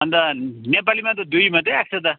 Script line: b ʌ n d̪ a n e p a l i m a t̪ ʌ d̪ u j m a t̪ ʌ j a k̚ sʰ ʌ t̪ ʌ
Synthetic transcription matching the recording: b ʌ n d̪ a n e p a l i m a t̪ ʌ d̪ u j m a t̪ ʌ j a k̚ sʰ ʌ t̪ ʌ